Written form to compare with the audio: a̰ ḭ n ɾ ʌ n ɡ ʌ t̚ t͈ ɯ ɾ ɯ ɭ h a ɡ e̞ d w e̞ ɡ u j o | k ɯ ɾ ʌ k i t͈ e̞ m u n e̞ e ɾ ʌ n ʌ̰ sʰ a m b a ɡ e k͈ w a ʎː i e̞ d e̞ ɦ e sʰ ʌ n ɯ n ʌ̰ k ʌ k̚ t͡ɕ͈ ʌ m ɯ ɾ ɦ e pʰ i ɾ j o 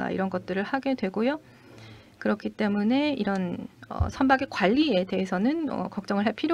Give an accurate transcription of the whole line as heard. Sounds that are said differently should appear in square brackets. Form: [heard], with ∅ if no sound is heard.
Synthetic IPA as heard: a̰ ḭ [∅] ɾ ʌ n ɡ ʌ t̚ t͈ ɯ ɾ ɯ ɭ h a ɡ e̞ d w e̞ ɡ [o] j o | k ɯ ɾ ʌ [kʰ] i t͈ e̞ m u n e̞ [i] ɾ ʌ n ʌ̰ sʰ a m b a ɡ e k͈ w a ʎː i e̞ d e̞ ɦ e sʰ ʌ n ɯ n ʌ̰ k ʌ k̚ t͡ɕ͈ ʌ [ŋ] ɯ [ɭ] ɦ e pʰ i ɾ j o